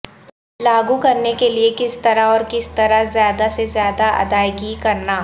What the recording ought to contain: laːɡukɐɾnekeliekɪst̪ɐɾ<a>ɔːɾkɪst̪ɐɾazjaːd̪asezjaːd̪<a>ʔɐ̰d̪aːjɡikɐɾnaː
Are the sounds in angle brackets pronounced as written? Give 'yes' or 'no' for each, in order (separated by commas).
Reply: yes, yes